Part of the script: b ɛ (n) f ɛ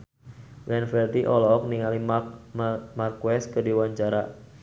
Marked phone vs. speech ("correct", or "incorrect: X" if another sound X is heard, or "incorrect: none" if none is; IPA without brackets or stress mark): correct